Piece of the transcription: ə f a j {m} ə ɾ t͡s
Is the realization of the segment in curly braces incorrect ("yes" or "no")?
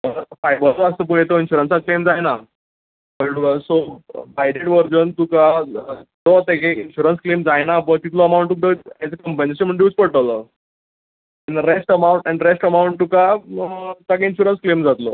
yes